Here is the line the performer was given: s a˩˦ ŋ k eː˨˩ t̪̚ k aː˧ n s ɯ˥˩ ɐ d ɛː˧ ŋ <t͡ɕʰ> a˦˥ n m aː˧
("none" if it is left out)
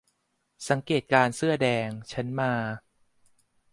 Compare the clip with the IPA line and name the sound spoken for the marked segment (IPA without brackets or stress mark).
t͡ɕʰ